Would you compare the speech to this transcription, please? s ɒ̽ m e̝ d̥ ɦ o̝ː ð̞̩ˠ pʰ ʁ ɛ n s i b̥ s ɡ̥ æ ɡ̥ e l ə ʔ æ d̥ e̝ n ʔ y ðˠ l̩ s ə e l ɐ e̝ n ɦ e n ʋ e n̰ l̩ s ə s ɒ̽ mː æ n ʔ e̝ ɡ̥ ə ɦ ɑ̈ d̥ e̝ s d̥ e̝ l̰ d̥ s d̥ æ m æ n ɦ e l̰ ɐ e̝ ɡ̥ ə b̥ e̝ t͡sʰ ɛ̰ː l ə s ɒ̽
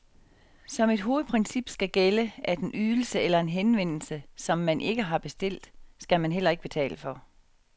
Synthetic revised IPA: s ɒ̽ m e̝ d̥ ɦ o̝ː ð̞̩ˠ pʰ ʁ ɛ n s i b̥ s ɡ̥ æ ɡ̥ e l ə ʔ æ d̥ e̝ n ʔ y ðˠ l̩ s ə e l ɐ e̝ n ɦ e n ʋ e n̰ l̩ s ə s ɒ̽ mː æ n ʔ e̝ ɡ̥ ə ɦ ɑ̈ b̥ e̝ s d̥ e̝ l̰ d̥ s ɡ̥ æ m æ n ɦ e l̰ ɐ e̝ ɡ̥ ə b̥ e̝ t͡sʰ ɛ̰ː l ə f ɒ̽